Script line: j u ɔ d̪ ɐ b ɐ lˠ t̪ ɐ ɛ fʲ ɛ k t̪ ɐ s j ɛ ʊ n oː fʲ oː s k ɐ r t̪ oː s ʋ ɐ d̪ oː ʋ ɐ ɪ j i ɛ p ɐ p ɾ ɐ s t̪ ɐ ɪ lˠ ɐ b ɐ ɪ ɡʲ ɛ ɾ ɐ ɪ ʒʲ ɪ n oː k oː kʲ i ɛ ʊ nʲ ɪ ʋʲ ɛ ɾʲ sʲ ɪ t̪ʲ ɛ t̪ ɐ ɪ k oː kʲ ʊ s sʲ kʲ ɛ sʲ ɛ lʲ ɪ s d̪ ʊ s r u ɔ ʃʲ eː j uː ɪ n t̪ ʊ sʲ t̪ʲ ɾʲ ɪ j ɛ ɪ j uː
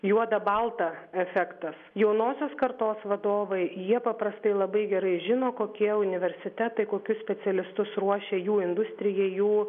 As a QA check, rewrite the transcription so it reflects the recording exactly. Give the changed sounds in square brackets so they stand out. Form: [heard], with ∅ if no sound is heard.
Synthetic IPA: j u ɔ d̪ ɐ b ɐ lˠ t̪ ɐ ɛ fʲ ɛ k t̪ ɐ s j ɛ ʊ n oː [sʲ] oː s k ɐ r t̪ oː s ʋ ɐ d̪ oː ʋ ɐ ɪ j i ɛ p ɐ p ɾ ɐ s t̪ ɐ ɪ lˠ ɐ b ɐ ɪ ɡʲ ɛ ɾ ɐ ɪ ʒʲ ɪ n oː k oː kʲ i ɛ ʊ nʲ ɪ ʋʲ ɛ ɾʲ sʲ ɪ t̪ʲ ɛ t̪ ɐ ɪ k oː kʲ ʊ s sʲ [pʲ] ɛ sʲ ɛ lʲ ɪ s [t̪] ʊ s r u ɔ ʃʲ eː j uː ɪ n [d̪] ʊ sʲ t̪ʲ ɾʲ ɪ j ɛ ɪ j uː

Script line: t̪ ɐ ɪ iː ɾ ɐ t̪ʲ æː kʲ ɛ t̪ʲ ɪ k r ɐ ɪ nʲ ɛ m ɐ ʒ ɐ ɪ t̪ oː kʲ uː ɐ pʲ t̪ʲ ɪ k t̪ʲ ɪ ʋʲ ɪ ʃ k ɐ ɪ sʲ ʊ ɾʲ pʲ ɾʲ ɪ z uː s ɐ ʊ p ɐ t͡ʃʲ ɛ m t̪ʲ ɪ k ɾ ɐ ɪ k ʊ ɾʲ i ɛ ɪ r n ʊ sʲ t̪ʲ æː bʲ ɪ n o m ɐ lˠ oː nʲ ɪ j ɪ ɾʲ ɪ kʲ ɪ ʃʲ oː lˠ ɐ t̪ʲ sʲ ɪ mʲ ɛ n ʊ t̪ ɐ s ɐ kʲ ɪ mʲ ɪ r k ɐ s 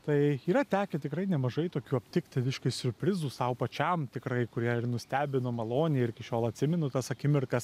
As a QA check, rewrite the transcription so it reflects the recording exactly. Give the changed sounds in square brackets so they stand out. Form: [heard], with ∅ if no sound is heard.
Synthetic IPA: t̪ ɐ ɪ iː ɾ ɐ t̪ʲ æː kʲ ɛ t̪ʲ ɪ k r ɐ ɪ nʲ ɛ m ɐ ʒ ɐ ɪ t̪ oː kʲ uː ɐ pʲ t̪ʲ ɪ k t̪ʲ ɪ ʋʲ ɪ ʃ k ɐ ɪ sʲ ʊ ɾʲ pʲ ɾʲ ɪ z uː s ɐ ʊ p ɐ t͡ʃʲ ɛ m t̪ʲ ɪ k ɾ ɐ ɪ k ʊ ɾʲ i ɛ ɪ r n ʊ sʲ t̪ʲ æː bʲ ɪ n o m ɐ lˠ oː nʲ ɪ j ɪ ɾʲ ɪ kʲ ɪ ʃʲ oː lˠ ɐ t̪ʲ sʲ ɪ mʲ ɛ n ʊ t̪ ɐ s ɐ kʲ ɪ mʲ ɪ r k ɐ s

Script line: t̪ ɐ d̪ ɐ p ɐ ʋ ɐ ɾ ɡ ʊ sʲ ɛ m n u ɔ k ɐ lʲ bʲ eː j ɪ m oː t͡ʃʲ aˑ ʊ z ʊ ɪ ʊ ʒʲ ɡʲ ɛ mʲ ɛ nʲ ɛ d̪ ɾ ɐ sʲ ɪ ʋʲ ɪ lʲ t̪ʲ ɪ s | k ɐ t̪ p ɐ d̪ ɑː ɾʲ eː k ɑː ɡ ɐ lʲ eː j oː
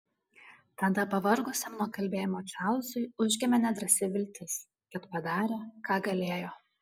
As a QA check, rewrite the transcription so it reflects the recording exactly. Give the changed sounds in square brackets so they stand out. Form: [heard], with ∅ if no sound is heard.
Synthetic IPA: t̪ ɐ d̪ ɐ p ɐ ʋ ɐ ɾ ɡ ʊ sʲ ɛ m n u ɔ k ɐ lʲ bʲ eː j ɪ m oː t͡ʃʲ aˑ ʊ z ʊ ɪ ʊ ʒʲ ɡʲ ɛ mʲ ɛ nʲ ɛ d̪ ɾ ɐ sʲ ɪ ʋʲ ɪ lʲ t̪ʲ ɪ s | k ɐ t̪ p ɐ d̪ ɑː ɾʲ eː k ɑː ɡ ɐ lʲ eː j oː

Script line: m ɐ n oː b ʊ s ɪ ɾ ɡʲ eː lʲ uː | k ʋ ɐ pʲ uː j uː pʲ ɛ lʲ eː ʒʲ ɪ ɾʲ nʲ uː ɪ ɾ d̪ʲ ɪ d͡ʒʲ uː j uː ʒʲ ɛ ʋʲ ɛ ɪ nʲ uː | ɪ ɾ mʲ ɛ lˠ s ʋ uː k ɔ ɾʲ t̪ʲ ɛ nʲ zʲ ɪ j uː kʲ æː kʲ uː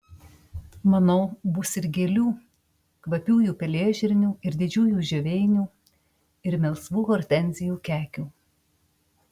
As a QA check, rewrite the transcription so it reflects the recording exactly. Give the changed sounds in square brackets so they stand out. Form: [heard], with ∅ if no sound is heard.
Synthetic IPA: m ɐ n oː b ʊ s ɪ ɾ ɡʲ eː lʲ uː | k ʋ ɐ pʲ uː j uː pʲ ɛ lʲ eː ʒʲ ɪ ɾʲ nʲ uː ɪ ɾ d̪ʲ ɪ d͡ʒʲ uː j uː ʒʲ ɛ ʋʲ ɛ ɪ nʲ uː | ɪ ɾ mʲ ɛ lˠ s ʋ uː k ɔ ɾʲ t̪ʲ ɛ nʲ zʲ ɪ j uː kʲ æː kʲ uː

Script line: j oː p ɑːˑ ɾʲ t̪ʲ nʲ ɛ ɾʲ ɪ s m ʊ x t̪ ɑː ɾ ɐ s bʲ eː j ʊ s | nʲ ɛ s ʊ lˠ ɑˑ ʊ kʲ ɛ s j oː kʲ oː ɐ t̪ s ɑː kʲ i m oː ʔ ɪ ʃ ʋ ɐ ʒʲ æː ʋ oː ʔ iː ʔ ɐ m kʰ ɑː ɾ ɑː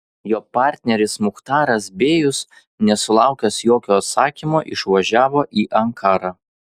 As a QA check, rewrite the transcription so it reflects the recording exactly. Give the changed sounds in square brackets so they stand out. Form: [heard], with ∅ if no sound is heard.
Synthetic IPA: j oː p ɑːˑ ɾʲ t̪ʲ nʲ ɛ ɾʲ ɪ s m ʊ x t̪ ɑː ɾ ɐ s bʲ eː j ʊ s | nʲ ɛ s ʊ lˠ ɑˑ ʊ kʲ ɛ s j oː kʲ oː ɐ t̪ s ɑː kʲ i m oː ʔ ɪ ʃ ʋ ɐ ʒʲ æː ʋ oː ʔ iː ʔ ɐ [ŋ] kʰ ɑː ɾ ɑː

